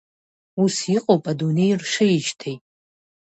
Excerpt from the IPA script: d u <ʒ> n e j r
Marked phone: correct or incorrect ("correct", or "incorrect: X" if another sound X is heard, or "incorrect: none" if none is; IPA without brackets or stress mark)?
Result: incorrect: none